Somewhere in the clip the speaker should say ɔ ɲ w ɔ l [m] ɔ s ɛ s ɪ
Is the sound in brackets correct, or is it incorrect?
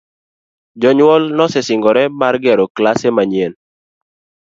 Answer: incorrect